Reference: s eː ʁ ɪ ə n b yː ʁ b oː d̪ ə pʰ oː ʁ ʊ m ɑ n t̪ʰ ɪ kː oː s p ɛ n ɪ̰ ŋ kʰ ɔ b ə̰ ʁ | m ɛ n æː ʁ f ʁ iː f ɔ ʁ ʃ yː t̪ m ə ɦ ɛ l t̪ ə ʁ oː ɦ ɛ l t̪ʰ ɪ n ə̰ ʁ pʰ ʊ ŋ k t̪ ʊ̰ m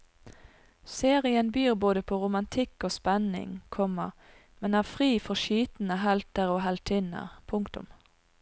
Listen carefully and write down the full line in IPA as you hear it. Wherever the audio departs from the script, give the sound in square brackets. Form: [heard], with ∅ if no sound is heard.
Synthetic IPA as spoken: s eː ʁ ɪ ə n b yː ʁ b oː d̪ ə pʰ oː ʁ ʊ m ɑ n t̪ʰ ɪ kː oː s p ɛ n ɪ̰ ŋ kʰ ɔ [m] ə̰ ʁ | m ɛ n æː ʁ f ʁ iː f ɔ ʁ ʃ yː t̪ [n] ə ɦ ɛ l t̪ ə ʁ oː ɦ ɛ l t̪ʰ ɪ n ə̰ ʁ pʰ ʊ ŋ k t̪ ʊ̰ m